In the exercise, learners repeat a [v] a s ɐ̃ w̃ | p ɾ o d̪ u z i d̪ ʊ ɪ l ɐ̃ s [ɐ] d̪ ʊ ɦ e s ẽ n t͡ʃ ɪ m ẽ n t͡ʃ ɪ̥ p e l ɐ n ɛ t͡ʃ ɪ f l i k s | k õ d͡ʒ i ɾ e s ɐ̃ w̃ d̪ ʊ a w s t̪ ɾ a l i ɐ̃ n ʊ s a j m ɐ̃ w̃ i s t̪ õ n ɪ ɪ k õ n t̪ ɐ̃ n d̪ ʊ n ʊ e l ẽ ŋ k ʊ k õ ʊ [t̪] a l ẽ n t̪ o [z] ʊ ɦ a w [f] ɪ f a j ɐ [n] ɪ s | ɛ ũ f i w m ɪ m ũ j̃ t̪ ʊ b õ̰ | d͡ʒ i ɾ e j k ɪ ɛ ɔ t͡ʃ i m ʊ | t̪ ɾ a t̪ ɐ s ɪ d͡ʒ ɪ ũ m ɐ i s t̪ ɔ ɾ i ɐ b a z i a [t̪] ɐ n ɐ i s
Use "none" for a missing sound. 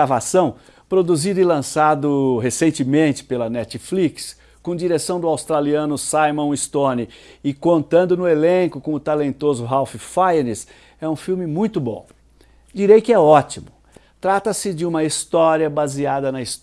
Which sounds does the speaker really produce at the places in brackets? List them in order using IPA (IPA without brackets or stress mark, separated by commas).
v, a, t̪, z, f, n, d̪